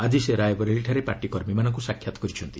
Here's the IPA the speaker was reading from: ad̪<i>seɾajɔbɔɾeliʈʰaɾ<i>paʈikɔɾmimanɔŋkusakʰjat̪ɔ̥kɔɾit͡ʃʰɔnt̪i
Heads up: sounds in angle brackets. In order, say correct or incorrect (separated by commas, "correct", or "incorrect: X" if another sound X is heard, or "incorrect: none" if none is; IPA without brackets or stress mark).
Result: correct, incorrect: e